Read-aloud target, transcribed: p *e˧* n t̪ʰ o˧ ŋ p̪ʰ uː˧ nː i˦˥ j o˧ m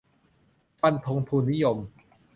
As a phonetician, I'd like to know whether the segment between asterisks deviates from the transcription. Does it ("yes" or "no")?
yes